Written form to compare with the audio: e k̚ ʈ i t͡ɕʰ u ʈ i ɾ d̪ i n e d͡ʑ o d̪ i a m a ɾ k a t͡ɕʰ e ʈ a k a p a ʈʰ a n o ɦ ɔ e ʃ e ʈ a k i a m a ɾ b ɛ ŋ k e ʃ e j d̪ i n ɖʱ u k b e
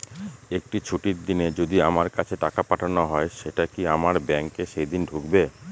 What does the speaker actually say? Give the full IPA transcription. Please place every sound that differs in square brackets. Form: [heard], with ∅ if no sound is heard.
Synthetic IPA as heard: e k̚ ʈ i t͡ɕʰ u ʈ i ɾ d̪ i n e d͡ʑ o d̪ i a m a ɾ k a t͡ɕʰ e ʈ a k a p a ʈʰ a n o ɦ ɔ e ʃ e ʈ a k i a m a ɾ b ɛ ŋ k e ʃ e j d̪ i n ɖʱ u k b e

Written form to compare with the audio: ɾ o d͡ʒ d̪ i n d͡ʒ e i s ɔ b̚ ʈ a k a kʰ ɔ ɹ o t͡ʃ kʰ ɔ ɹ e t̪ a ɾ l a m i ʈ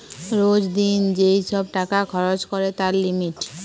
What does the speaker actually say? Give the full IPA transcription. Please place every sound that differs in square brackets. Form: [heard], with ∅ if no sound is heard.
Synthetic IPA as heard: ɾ o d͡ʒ d̪ i n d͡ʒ e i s ɔ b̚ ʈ a k a kʰ ɔ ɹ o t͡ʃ [k] ɔ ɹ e t̪ a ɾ l [i] m i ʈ

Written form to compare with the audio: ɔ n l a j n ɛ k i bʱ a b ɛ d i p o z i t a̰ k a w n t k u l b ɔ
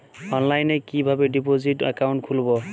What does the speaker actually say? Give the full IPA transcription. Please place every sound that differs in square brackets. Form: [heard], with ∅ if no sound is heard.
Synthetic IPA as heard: ɔ n l a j n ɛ k i bʱ a b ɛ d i p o z i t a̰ k a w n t [kʰ] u l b ɔ

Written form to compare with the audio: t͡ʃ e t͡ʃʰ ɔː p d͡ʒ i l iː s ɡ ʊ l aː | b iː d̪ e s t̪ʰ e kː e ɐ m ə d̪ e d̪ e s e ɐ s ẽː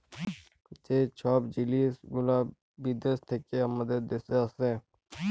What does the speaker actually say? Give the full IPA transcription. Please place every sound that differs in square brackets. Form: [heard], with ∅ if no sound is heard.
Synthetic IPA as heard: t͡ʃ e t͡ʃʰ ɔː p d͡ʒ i l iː s ɡ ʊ l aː | b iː d̪ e s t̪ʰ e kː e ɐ m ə d̪ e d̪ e s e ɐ s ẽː

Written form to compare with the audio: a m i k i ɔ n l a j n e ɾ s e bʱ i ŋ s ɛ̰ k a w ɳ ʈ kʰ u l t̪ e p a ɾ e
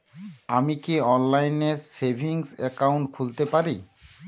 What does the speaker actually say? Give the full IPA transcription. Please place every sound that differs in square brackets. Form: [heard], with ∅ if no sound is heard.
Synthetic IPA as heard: a m i k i ɔ n l a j n e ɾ s e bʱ i ŋ s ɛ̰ k a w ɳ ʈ kʰ u l t̪ e p a ɾ [i]

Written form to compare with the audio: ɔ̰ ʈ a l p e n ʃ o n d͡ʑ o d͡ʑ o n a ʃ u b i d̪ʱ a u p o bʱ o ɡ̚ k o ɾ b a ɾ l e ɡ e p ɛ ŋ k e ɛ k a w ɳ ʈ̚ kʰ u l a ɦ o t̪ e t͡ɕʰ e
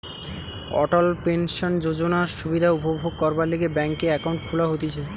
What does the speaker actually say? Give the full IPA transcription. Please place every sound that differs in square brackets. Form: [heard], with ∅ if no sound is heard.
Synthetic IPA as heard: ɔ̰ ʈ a l p e n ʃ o n d͡ʑ o d͡ʑ o n a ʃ u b i d̪ʱ a u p o bʱ o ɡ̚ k [ɔ] ɾ b a ɾ l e ɡ e [b] ɛ ŋ k e ɛ k a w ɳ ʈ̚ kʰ u l a ɦ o t̪ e t͡ɕʰ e

